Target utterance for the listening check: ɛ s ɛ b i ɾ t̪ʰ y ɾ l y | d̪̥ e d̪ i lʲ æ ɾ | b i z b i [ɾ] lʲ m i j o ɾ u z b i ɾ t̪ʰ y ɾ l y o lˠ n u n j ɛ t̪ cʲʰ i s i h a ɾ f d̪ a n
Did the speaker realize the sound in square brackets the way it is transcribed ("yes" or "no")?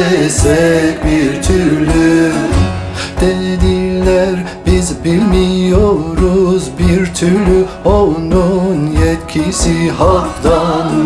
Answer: no